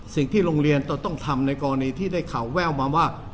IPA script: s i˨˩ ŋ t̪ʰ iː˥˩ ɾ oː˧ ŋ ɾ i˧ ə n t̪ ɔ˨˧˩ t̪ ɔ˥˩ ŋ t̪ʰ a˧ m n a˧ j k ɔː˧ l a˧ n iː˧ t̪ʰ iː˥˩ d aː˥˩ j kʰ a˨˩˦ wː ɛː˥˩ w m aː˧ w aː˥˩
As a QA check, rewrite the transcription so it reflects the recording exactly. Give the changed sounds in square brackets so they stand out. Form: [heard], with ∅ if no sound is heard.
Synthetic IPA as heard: s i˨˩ ŋ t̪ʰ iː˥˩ ɾ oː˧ ŋ ɾ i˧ ə n t̪ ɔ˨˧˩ t̪ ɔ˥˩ ŋ t̪ʰ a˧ m n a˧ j k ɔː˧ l a˧ n iː˧ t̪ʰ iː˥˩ d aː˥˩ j kʰ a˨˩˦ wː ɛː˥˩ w m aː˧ w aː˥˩